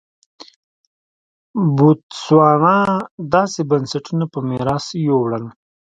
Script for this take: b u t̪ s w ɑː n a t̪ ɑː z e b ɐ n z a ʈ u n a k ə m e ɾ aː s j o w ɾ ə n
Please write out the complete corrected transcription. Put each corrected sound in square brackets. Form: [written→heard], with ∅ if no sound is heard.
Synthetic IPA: b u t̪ s w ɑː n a [t̪→d̪] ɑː [z→s] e b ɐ n [z→s] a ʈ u n a [k→p] ə m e ɾ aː s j o w [ɾ→ɽ] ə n